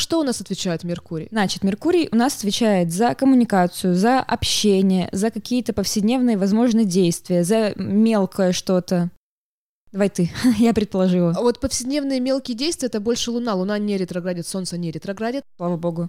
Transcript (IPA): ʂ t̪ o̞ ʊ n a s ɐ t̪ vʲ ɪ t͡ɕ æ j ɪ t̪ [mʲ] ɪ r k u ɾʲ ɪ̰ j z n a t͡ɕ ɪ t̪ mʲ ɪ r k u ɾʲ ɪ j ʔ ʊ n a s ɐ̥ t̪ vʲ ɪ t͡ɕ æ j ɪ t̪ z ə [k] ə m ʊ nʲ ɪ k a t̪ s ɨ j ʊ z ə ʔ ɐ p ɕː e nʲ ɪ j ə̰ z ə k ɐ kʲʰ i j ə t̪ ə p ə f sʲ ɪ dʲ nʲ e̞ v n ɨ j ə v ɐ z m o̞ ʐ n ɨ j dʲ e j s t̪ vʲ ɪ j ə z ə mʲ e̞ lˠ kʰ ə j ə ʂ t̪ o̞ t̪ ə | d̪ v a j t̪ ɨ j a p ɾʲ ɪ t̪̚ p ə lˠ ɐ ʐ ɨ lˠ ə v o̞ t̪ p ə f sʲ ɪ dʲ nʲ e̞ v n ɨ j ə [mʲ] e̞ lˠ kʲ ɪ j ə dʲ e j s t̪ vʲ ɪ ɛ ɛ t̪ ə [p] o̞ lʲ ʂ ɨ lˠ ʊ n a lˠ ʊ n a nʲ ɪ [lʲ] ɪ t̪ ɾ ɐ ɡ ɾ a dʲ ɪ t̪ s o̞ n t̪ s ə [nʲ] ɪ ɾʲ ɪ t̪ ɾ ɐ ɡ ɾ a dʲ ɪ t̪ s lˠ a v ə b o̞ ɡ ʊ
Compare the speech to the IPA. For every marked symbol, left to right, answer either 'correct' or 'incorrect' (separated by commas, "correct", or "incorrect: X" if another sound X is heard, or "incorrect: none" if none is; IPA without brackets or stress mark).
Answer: correct, correct, correct, incorrect: b, incorrect: ɾʲ, correct